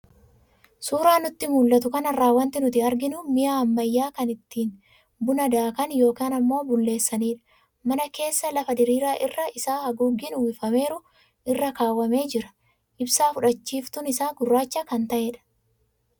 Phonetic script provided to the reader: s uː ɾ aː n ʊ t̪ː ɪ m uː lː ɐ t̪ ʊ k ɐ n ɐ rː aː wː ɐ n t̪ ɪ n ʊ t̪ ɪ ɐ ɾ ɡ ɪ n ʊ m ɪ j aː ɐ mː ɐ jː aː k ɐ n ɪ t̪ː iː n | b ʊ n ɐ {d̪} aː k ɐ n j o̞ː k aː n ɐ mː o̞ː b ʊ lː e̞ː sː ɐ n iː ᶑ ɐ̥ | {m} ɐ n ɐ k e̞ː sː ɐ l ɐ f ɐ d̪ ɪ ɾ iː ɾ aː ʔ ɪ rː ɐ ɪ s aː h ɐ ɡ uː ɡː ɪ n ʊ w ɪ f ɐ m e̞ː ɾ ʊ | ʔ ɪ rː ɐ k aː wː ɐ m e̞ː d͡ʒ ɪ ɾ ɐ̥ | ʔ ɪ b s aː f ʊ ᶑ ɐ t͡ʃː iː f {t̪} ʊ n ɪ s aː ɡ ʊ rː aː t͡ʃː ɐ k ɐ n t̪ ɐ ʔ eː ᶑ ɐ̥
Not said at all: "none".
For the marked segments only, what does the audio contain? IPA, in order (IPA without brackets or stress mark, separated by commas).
d̪, m, t̪